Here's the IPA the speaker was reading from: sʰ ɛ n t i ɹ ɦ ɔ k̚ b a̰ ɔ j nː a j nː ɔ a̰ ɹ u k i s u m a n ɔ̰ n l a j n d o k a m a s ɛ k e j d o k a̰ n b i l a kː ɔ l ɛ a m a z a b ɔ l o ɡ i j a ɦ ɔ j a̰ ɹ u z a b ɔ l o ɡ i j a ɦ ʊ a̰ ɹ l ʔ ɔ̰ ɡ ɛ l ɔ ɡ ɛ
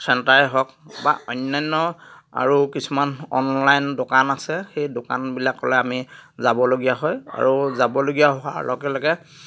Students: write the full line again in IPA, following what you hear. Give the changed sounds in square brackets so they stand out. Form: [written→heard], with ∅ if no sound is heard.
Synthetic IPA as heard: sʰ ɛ n t [i→a] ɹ ɦ ɔ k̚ b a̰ ɔ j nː a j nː ɔ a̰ ɹ u k i s u m a n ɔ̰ n l a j n d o k a [m→n] a s ɛ [k→x] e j d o k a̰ n b i l a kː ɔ l ɛ a m [a→i] z a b ɔ l o ɡ i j a ɦ ɔ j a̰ ɹ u z a b ɔ l o ɡ i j a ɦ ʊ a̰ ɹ l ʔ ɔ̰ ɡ ɛ l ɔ ɡ ɛ

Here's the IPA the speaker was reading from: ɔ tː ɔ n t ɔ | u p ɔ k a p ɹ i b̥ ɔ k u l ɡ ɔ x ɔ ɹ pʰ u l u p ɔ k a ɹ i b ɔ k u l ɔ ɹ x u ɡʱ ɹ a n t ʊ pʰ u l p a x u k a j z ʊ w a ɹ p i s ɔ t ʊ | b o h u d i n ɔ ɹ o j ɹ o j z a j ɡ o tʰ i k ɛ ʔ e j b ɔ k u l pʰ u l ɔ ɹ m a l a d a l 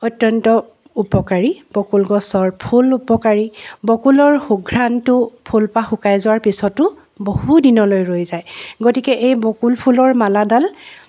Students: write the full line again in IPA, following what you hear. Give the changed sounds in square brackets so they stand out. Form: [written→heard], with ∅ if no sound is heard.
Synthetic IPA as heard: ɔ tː ɔ n t ɔ | u p ɔ k a [p→∅] ɹ i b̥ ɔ k u l ɡ ɔ [x→s] ɔ ɹ pʰ u l u p ɔ k a ɹ i b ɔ k u l ɔ ɹ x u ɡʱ ɹ a n t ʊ pʰ u l p a x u k a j z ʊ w a ɹ p i s ɔ t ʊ | b o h u d i n ɔ [ɹ→l] o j ɹ o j z a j ɡ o [tʰ→t] i k ɛ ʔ e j b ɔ k u l pʰ u l ɔ ɹ m a l a d a l

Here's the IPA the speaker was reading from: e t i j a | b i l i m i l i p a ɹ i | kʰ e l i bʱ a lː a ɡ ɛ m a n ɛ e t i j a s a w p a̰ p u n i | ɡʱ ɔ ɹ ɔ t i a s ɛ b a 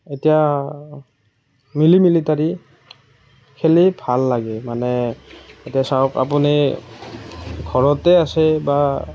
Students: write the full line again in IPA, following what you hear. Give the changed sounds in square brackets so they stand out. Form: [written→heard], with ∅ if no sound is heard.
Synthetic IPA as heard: e t i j a | [b→m] i l i m i l i [p→t] a ɹ i | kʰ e l i bʱ a lː a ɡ ɛ m a n ɛ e t i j a s a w [p→k] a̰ p u n i | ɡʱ ɔ ɹ ɔ t [i→ɛ] a s ɛ b a

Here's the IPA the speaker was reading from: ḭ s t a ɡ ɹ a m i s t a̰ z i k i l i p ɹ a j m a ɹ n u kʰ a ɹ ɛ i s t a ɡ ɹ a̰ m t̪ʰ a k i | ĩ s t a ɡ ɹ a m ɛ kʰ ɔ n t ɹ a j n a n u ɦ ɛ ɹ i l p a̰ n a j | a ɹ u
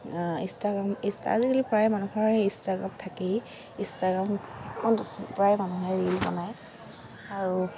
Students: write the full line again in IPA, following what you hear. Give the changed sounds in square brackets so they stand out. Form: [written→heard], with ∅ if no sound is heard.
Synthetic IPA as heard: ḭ s t a ɡ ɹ a m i s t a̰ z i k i l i p ɹ a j m a [ɹ→∅] n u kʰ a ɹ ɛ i s t a ɡ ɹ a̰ m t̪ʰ a k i | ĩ s t a ɡ ɹ a m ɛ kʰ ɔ n [t→p] ɹ a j [n→m] a n u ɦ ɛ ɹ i l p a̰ n a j | a ɹ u

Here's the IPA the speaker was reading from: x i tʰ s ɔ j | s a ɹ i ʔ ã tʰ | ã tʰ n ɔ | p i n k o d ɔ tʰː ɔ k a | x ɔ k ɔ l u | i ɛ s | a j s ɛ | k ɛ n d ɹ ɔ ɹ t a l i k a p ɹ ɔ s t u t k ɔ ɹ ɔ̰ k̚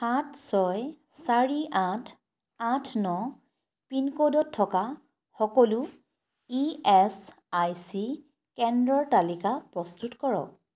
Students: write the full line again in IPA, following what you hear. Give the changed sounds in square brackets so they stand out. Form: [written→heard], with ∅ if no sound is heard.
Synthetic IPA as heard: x [i→a] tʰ s ɔ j | s a ɹ i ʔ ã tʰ | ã tʰ n ɔ | p i n k o d ɔ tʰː ɔ k a | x ɔ k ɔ l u | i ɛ s | a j s [ɛ→i] | k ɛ n d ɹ ɔ ɹ t a l i k a p ɹ ɔ s t u t k ɔ ɹ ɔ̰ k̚

